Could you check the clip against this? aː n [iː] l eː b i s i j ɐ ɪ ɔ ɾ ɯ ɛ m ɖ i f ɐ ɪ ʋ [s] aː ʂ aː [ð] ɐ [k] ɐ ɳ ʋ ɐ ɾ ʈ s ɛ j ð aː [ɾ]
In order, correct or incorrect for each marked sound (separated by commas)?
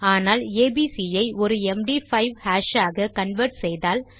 incorrect, incorrect, incorrect, correct, incorrect